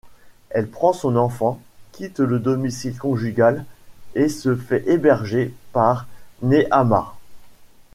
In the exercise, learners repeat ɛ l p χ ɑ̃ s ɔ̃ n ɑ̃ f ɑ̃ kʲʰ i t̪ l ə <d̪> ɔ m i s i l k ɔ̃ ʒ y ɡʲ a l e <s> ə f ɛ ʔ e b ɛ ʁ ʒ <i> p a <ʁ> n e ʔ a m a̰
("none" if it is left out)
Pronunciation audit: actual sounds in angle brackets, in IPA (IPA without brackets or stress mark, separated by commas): d̪, s, e, ʁ